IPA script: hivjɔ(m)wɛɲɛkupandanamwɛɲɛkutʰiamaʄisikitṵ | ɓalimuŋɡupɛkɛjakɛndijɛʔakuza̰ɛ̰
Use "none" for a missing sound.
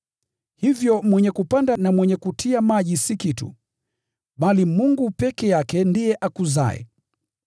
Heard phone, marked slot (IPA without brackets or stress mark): m